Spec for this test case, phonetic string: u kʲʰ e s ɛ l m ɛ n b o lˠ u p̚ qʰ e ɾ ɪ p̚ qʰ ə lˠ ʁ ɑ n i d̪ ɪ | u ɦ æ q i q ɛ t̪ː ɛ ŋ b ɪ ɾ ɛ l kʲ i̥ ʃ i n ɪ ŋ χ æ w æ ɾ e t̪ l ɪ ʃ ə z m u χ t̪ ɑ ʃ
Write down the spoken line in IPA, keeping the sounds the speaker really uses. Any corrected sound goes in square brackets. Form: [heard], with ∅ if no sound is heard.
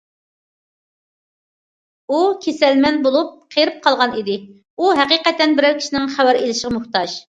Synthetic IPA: u kʲʰ e s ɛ l m ɛ n b o lˠ u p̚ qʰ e ɾ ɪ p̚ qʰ [ɑ] lˠ ʁ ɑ n i d̪ ɪ | u ɦ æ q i q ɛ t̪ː ɛ [n] b ɪ ɾ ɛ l kʲ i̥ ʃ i n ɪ ŋ χ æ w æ ɾ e [∅] l ɪ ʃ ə [ʁ] m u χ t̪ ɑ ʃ